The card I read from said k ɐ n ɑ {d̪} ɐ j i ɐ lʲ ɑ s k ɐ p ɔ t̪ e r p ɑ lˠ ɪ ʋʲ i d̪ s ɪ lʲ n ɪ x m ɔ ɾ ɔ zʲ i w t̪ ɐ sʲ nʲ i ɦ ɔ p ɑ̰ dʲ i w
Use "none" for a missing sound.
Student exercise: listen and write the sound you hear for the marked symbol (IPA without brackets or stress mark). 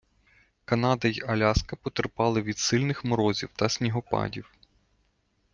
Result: d̪